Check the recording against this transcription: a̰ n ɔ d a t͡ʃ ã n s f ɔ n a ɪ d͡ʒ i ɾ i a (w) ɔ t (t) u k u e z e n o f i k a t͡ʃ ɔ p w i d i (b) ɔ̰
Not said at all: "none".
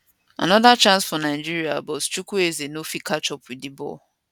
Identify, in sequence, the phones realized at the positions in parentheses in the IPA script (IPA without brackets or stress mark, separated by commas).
b, t͡ʃ, b